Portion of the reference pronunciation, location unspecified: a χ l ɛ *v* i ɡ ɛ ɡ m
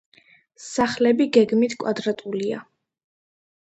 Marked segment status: incorrect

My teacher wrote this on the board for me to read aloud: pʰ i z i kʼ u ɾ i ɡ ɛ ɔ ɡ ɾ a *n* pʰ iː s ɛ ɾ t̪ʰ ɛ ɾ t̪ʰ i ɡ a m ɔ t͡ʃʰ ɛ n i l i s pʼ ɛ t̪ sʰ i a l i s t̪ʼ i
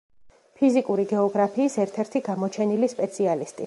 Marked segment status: incorrect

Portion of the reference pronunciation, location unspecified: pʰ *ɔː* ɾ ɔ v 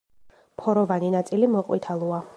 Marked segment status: incorrect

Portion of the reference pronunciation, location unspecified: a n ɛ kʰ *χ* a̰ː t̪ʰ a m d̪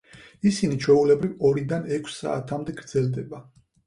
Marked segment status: incorrect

